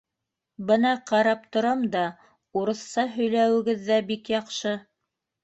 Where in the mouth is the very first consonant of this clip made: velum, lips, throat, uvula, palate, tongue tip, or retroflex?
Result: lips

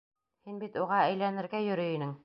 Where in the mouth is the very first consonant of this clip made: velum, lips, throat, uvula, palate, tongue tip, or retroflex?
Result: throat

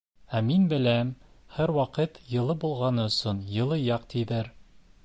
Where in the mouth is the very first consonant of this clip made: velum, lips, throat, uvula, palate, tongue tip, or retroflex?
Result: lips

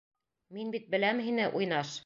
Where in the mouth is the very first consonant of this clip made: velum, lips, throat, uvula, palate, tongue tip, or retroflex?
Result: lips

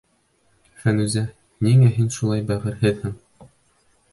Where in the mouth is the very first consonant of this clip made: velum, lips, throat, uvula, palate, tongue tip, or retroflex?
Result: lips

